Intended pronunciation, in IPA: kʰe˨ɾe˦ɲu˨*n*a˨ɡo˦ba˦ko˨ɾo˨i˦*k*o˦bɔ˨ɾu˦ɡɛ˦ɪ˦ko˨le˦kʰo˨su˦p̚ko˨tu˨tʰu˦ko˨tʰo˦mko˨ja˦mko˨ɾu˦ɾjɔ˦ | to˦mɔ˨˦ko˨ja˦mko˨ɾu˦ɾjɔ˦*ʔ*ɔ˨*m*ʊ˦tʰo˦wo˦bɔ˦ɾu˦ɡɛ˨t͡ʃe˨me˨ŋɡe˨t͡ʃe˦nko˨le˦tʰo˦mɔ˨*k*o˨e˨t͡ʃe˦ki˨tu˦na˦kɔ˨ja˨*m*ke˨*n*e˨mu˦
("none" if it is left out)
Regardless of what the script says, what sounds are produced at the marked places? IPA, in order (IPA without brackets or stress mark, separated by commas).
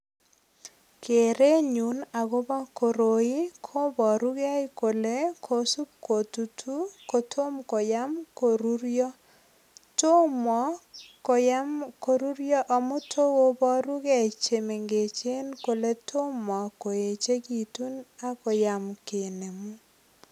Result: n, kʰ, ʔ, m, k, m, n